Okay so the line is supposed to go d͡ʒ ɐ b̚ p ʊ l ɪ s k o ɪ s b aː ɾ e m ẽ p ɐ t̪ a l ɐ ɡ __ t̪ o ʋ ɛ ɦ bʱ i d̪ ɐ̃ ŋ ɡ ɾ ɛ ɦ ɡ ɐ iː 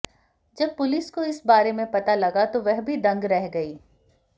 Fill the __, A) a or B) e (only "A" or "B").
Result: A